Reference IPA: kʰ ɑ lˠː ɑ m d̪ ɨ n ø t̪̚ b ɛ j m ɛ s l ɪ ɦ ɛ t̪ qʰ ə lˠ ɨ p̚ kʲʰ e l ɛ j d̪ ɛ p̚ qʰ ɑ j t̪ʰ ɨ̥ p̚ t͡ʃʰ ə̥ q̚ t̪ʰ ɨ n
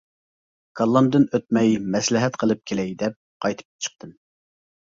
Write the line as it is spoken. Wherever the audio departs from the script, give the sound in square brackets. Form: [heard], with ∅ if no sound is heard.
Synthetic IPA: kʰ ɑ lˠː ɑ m d̪ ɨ n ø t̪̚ [m] ɛ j m ɛ s l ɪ ɦ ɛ t̪ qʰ ə lˠ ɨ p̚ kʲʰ e l ɛ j d̪ ɛ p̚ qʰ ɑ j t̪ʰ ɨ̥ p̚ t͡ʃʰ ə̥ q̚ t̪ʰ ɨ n